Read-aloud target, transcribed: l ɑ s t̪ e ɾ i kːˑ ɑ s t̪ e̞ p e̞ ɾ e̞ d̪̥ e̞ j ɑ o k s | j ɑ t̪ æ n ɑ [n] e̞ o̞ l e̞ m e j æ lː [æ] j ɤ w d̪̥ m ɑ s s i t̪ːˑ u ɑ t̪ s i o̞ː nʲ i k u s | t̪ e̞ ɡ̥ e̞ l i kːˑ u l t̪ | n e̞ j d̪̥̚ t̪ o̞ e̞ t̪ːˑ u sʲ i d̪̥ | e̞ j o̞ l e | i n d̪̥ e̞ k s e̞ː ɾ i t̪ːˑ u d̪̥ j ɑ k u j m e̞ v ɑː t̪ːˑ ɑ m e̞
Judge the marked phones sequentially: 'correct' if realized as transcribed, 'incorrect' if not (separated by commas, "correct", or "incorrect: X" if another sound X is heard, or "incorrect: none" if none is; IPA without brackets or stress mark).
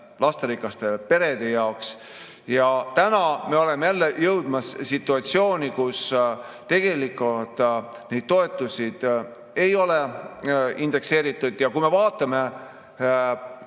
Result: incorrect: m, incorrect: e